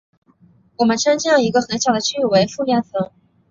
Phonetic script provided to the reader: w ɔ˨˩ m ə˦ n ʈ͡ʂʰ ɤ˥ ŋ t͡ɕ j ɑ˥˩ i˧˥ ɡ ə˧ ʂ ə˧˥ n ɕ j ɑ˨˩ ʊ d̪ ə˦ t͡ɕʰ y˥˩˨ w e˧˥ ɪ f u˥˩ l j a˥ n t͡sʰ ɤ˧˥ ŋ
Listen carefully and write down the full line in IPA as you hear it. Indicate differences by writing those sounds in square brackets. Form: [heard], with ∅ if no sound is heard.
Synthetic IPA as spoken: w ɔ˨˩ m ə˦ n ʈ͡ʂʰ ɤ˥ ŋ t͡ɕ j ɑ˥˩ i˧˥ ɡ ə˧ [x] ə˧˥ n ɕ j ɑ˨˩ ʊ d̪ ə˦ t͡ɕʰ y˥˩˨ w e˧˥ ɪ f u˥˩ l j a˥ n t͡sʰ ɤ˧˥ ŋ